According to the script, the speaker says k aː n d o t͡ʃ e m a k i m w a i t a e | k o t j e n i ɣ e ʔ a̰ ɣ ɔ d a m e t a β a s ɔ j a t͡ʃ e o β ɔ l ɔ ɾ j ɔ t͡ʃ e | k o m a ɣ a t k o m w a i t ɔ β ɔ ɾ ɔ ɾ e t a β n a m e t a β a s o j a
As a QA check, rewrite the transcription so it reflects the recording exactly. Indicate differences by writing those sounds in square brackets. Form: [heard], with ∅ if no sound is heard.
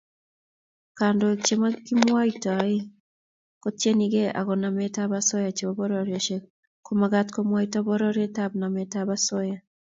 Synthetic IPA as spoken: k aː n d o t͡ʃ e m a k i m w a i t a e | k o t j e n i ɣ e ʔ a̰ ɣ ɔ [n] a m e t a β a s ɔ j a t͡ʃ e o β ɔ [ɾ] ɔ ɾ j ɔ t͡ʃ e | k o m a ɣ a t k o m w a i t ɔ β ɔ ɾ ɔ ɾ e t a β n a m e t a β a s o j a